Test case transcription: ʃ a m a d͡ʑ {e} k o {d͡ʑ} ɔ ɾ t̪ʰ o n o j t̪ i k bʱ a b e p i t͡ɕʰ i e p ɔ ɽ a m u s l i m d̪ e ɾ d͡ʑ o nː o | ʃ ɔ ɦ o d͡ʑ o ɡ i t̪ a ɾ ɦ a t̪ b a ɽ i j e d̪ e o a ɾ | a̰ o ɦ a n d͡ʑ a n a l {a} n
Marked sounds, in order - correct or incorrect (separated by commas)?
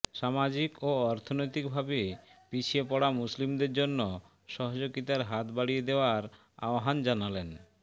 incorrect, incorrect, incorrect